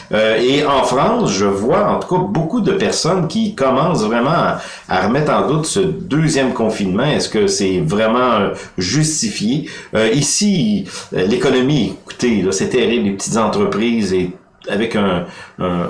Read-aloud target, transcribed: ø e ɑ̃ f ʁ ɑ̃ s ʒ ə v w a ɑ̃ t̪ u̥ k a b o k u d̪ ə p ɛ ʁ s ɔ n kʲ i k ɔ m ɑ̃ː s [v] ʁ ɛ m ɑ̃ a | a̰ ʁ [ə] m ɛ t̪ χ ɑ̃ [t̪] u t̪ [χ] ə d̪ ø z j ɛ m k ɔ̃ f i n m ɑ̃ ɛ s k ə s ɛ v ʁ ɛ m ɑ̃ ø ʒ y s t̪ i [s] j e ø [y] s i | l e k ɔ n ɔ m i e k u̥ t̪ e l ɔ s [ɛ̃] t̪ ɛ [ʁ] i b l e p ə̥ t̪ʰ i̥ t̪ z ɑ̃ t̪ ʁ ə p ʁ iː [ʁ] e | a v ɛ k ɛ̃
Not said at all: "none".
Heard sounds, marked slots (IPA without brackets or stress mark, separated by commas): v, ə, d̪, s, f, i, ɛ, ʁ, z